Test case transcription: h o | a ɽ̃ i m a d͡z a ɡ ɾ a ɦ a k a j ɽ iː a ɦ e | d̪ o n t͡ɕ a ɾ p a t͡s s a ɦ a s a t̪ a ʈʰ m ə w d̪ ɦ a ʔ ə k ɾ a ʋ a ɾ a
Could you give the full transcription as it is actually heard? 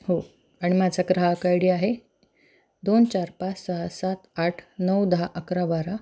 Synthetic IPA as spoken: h o | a ɽ̃ i m a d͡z a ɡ ɾ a ɦ a k a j ɽ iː a ɦ e | d̪ o n t͡ɕ a ɾ p a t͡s s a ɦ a s a t̪ a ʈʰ n ə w d̪ ɦ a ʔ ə k ɾ a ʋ a ɾ a

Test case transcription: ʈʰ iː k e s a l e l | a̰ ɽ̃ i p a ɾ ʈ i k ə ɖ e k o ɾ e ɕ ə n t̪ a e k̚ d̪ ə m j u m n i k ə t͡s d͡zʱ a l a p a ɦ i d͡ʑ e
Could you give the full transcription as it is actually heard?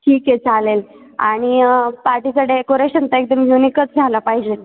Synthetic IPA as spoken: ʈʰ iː k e t͡s a l e l | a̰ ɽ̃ i p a ɾ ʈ i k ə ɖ e k o ɾ e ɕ ə n t̪ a e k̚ d̪ ə m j u n i k ə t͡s d͡zʱ a l a p a ɦ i d͡ʑ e

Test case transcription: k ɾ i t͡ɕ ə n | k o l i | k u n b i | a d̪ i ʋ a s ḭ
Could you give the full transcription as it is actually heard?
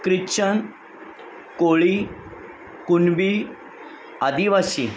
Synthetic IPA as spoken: k ɾ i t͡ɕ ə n | k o ɭ i | k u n b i | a d̪ i ʋ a s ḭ

